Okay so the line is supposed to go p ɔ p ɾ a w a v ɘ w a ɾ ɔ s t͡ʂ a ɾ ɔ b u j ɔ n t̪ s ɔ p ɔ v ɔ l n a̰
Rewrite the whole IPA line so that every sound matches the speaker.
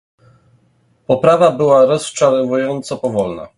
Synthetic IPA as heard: p ɔ p ɾ a v a b ɘ w a ɾ ɔ s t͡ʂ a ɾ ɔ v u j ɔ n t̪ s ɔ p ɔ v ɔ l n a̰